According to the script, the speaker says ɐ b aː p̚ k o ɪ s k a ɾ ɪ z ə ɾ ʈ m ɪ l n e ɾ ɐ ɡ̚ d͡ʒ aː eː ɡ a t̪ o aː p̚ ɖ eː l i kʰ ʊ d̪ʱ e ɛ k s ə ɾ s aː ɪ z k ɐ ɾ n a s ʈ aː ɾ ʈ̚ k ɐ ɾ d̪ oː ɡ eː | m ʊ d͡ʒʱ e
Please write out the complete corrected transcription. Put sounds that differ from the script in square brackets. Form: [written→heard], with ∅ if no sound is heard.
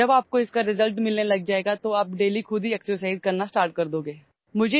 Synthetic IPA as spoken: ɐ b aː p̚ k o ɪ s k a ɾ ɪ z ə [ɾ→l] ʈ m ɪ l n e [ɾ→l] ɐ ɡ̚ d͡ʒ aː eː ɡ a t̪ o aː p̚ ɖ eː l i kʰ ʊ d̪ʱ [e→i] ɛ k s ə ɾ s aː ɪ z k ɐ ɾ n a s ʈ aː ɾ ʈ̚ k ɐ ɾ d̪ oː ɡ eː | m ʊ d͡ʒʱ e